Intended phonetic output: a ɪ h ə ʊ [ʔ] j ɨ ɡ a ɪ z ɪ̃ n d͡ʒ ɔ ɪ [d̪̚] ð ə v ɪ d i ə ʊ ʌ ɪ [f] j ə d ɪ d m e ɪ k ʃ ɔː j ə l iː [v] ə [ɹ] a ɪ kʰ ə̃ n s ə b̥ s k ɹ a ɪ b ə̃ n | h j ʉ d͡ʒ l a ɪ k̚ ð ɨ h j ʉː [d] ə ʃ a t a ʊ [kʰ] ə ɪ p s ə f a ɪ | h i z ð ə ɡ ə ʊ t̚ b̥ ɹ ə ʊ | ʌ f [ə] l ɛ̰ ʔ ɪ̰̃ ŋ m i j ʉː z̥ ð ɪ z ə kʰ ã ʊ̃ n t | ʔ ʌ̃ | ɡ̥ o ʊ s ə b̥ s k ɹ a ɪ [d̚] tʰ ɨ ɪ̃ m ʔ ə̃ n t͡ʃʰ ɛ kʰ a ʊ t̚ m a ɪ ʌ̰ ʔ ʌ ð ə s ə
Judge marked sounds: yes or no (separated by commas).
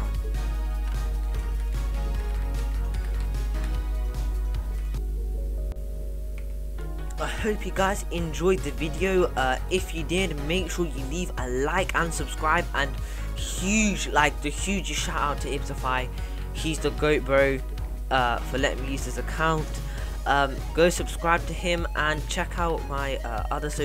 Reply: no, yes, yes, yes, no, no, no, yes, no